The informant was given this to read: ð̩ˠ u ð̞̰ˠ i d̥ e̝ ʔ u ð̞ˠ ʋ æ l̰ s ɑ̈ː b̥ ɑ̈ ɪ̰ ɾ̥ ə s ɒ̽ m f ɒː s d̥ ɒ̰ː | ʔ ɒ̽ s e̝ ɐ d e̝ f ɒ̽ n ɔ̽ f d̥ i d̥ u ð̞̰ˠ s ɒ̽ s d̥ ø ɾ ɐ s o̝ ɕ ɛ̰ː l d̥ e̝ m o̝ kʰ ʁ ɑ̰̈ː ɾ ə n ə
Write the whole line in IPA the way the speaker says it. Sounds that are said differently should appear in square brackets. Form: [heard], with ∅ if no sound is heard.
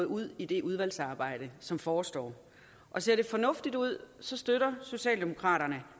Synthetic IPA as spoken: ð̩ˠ u ð̞̰ˠ i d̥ e̝ ʔ u ð̞ˠ ʋ æ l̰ s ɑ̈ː b̥ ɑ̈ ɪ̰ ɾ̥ ə s ɒ̽ m f ɒː s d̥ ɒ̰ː | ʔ ɒ̽ s e̝ ɐ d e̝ f ɒ̽ n ɔ̽ f d̥ i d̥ u ð̞̰ˠ s ɒ̽ s d̥ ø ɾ ɐ s o̝ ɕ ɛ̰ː l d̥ e̝ m o̝ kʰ ʁ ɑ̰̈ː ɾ [ɐ] n ə